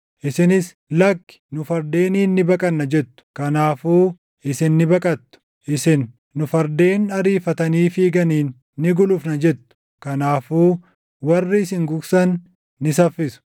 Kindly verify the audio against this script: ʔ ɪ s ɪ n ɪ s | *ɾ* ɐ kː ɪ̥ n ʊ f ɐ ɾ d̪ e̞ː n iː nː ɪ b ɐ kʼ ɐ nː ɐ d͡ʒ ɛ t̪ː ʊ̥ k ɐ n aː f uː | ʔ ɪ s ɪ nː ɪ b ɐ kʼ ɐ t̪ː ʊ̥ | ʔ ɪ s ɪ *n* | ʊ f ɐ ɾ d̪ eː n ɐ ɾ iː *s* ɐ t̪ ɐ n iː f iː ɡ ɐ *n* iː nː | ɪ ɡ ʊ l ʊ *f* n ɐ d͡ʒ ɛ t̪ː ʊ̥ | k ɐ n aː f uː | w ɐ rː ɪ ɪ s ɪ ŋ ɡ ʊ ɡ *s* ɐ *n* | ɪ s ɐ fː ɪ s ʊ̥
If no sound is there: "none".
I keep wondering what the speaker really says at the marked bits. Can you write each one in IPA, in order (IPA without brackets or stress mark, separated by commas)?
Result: l, nː, f, n, f, s, nː